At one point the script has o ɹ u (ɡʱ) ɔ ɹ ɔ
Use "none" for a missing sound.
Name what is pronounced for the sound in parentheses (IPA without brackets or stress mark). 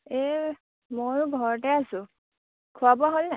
ɡʱ